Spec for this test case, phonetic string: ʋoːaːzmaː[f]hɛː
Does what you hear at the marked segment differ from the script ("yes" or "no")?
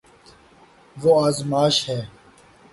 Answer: yes